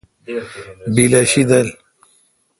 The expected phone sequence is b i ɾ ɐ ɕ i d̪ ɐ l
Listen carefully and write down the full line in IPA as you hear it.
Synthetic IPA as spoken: b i l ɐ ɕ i d̪ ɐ l